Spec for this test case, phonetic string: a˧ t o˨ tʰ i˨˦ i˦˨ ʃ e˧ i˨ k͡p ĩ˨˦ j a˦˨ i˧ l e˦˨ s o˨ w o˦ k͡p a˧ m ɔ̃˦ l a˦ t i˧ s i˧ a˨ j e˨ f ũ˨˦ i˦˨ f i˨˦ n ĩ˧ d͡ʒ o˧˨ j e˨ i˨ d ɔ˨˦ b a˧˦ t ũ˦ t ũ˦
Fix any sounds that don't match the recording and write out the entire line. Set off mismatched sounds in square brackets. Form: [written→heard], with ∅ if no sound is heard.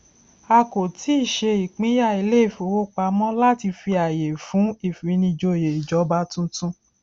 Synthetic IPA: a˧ [t→k] o˨ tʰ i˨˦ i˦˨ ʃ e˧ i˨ k͡p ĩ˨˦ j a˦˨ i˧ l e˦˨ [s→f] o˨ w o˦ k͡p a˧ m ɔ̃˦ l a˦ t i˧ [s→f] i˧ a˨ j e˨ f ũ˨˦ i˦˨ f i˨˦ n ĩ˧ d͡ʒ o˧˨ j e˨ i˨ [d→d͡ʒ] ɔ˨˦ b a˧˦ t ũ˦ t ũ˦